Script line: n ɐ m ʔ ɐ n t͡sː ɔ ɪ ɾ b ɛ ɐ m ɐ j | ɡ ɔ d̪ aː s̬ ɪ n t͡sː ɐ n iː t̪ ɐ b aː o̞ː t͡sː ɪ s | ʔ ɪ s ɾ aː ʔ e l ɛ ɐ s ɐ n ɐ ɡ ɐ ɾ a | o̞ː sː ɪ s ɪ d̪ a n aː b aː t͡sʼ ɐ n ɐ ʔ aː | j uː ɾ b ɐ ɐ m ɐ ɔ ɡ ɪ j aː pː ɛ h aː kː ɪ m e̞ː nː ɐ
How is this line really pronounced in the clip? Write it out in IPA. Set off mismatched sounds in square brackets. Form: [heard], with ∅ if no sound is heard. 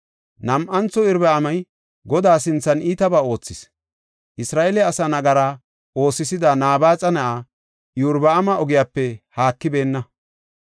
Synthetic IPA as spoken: n ɐ m ʔ ɐ n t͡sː ɔ ɪ ɾ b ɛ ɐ m ɐ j | ɡ ɔ d̪ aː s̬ ɪ n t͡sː ɐ n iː t̪ ɐ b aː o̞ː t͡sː ɪ s | ʔ ɪ s ɾ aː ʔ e l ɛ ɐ s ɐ n ɐ ɡ ɐ ɾ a | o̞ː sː ɪ s ɪ d̪ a n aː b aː t͡sʼ ɐ n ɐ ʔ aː | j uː ɾ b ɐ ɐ m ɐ ɔ ɡ ɪ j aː pː ɛ h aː kː ɪ [b] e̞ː nː ɐ